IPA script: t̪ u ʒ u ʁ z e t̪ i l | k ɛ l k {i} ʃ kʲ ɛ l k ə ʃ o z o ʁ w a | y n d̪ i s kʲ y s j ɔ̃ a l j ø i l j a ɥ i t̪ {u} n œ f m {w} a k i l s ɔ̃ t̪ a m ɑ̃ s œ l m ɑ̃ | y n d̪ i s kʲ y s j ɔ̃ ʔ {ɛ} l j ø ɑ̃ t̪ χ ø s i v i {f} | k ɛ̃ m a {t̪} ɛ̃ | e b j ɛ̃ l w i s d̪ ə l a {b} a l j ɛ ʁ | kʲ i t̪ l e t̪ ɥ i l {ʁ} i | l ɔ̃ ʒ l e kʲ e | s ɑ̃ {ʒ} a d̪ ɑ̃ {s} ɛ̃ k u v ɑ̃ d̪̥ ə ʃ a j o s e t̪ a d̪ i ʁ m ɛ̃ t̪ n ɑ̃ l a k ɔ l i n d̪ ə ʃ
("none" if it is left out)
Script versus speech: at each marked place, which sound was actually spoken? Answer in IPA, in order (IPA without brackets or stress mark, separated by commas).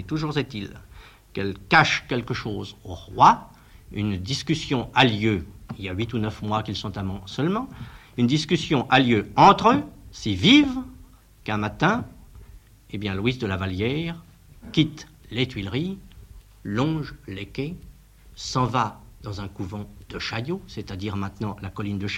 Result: a, u, w, a, v, t̪, v, ʁ, v, z